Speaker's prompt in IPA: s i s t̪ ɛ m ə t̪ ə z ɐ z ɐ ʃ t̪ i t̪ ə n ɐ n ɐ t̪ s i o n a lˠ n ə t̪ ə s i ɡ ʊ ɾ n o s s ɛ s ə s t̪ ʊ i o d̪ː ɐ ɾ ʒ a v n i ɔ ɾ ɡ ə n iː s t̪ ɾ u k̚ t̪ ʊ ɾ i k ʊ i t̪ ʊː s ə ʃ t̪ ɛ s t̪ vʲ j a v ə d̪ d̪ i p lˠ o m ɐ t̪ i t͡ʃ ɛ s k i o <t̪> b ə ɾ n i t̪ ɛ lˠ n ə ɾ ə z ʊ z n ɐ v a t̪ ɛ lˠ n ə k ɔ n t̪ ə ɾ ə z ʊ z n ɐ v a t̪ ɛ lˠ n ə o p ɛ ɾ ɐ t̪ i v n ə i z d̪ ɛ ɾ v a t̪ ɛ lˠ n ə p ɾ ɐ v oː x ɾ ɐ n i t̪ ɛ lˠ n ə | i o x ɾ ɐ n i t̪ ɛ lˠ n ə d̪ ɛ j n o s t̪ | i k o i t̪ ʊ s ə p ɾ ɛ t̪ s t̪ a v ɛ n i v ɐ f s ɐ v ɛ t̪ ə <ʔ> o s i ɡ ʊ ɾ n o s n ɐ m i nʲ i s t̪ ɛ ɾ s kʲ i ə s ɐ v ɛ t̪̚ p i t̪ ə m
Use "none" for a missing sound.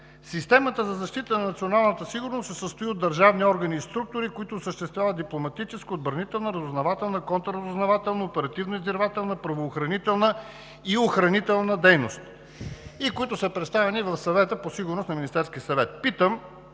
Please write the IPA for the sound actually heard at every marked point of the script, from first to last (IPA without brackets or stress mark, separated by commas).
d̪, p